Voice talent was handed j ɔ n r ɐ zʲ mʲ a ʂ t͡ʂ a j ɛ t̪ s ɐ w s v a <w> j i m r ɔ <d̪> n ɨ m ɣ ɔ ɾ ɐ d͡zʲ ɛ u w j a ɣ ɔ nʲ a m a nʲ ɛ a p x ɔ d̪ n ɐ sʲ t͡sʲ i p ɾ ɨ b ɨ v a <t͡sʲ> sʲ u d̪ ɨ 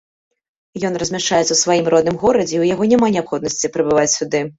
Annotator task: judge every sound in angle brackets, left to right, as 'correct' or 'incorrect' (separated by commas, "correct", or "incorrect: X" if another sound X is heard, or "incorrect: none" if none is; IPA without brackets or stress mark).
incorrect: none, correct, correct